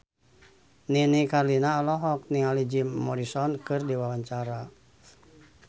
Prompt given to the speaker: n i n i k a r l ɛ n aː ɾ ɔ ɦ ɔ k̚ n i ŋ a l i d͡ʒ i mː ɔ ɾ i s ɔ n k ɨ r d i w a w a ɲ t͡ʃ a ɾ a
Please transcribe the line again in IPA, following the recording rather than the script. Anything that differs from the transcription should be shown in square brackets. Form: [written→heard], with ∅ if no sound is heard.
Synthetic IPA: n i n i k a r l [ɛ→i] n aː [ɾ→l] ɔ ɦ ɔ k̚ n i ŋ a l i d͡ʒ i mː ɔ ɾ i s ɔ n k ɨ r d i w a w a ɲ t͡ʃ a ɾ a

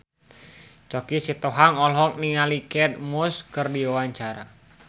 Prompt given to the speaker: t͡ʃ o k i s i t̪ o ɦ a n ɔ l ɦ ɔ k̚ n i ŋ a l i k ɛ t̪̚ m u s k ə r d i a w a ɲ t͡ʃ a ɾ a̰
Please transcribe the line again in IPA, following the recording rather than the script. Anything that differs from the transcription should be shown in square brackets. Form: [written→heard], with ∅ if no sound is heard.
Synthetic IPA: t͡ʃ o k i s i t̪ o ɦ a [n→ŋ] ɔ l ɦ ɔ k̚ n i ŋ a l i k ɛ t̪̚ m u s k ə r d i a w a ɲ t͡ʃ a ɾ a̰

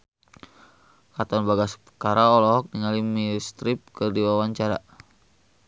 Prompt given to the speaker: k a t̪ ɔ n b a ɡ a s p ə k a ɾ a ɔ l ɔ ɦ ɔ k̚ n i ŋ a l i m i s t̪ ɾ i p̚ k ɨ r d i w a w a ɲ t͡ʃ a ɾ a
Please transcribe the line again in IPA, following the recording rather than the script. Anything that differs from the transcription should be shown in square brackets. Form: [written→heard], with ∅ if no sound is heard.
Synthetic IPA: k a t̪ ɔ n b a ɡ a s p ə k a ɾ a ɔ l ɔ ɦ ɔ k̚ n i ŋ a l i m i s t̪ ɾ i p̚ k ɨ r d i w a w a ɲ t͡ʃ a ɾ a

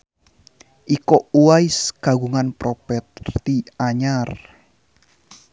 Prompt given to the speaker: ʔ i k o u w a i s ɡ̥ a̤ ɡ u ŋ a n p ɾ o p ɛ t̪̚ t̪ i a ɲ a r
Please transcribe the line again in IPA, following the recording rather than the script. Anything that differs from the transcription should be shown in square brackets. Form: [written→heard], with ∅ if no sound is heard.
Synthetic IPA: ʔ i k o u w a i s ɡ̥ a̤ ɡ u ŋ a n p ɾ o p ɛ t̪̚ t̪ i a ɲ a r

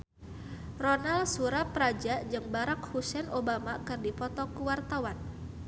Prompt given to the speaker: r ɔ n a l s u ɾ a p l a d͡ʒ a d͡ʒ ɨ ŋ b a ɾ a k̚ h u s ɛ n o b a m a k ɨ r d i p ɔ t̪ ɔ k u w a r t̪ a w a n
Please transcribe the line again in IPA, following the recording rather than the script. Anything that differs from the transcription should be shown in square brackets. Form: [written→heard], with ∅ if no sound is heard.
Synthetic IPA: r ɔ n a l s u ɾ a p [l→ɾ] a d͡ʒ a d͡ʒ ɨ ŋ b a ɾ a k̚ h u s ɛ n o b a m a k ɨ r d i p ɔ t̪ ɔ k u w a r t̪ a w a n

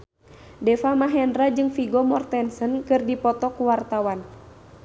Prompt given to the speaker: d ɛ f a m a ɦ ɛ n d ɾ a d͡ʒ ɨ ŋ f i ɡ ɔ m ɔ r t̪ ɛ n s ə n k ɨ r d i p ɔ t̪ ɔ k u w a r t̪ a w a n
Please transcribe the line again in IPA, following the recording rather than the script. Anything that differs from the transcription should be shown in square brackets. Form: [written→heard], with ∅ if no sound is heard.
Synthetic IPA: d ɛ f a m a ɦ ɛ n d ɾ a d͡ʒ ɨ ŋ f i ɡ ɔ m ɔ r t̪ ɛ n s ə n k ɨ r d i p ɔ t̪ ɔ k u w a r t̪ a w a n

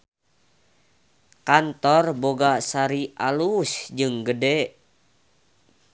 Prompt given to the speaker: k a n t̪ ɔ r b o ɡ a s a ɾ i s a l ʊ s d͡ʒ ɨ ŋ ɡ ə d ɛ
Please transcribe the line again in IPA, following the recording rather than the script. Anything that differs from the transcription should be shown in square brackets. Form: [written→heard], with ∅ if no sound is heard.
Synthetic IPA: k a n t̪ ɔ r b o ɡ a s a ɾ i [s→∅] a l [ʊ→u] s d͡ʒ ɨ ŋ ɡ ə d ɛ

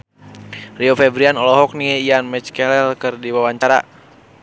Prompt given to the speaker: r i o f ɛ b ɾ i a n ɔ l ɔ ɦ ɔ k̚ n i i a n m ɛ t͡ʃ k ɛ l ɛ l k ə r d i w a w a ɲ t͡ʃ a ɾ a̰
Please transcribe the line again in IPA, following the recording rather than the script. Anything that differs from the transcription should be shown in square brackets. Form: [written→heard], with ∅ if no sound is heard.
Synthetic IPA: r i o f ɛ b ɾ i a n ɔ l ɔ ɦ ɔ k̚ n i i a n m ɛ t͡ʃ k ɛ l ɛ l k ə r d i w a w a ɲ t͡ʃ a ɾ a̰

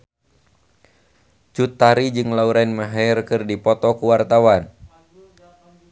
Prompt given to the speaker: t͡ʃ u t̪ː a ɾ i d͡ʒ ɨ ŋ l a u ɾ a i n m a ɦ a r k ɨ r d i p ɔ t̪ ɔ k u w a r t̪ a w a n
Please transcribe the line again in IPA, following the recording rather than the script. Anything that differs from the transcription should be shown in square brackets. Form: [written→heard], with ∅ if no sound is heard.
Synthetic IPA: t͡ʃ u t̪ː a ɾ i d͡ʒ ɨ ŋ l a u ɾ a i n m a ɦ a r k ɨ r d i p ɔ t̪ ɔ k u w a r t̪ a w a n

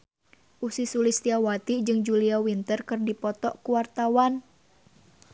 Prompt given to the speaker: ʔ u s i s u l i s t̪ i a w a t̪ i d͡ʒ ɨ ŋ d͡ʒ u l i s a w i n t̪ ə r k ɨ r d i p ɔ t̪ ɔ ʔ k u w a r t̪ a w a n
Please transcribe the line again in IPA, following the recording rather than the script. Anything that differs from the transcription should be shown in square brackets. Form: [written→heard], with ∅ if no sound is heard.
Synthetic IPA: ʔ u s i s u l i s t̪ i a w a t̪ i d͡ʒ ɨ ŋ d͡ʒ u l i [s→∅] a w i n t̪ ə r k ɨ r d i p ɔ t̪ ɔ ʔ k u w a r t̪ a w a n

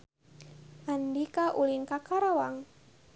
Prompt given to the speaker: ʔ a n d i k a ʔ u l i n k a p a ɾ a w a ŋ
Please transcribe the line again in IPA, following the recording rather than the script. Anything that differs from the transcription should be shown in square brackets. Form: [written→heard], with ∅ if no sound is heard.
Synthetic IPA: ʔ a n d i k a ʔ u l i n k a [p→k] a ɾ a w a ŋ

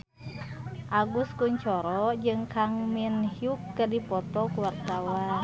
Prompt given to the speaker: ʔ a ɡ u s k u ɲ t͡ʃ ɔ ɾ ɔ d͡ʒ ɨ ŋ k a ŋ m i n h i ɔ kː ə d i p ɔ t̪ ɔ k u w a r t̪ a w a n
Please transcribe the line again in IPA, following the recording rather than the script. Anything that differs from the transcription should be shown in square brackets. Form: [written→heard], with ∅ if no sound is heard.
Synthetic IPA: ʔ a ɡ u s k u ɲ t͡ʃ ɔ ɾ ɔ d͡ʒ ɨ ŋ k a ŋ m i n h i [ɔ→u] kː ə d i p ɔ t̪ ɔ k u w a r t̪ a w a n

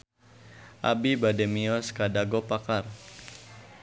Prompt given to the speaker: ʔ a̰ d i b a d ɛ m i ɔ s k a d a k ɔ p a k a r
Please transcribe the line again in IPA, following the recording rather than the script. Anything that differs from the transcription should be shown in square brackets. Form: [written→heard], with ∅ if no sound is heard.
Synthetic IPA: ʔ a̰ [d→b] i b a d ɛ m i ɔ s k a d a [k→ɡ] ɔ p a k a r

